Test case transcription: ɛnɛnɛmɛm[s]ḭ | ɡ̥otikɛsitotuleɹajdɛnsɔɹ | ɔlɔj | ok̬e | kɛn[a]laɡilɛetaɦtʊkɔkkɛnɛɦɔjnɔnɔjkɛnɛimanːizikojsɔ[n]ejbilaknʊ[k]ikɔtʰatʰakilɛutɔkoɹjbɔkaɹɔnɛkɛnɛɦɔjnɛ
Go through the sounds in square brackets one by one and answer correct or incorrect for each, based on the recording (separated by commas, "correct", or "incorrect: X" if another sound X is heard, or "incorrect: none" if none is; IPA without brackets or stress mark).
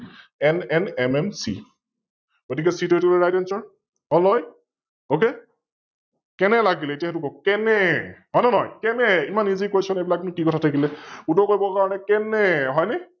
correct, incorrect: ɛ, correct, correct